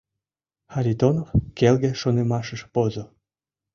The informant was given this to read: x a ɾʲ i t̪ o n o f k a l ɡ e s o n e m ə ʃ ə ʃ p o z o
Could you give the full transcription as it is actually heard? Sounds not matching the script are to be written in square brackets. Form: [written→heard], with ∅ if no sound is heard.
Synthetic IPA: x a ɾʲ i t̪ o n o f k [a→e] l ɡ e [s→ʃ] o n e m [ə→ɑ] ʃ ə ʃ p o z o